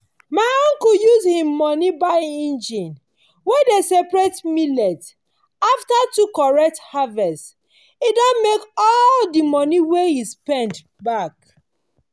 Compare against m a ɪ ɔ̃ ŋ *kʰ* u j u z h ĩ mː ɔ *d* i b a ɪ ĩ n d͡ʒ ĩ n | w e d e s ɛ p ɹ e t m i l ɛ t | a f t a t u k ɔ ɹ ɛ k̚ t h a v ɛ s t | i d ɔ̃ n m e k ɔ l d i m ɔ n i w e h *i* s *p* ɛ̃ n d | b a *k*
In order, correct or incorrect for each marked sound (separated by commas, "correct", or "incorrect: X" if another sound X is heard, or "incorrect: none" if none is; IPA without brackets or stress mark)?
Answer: incorrect: k, incorrect: n, correct, correct, correct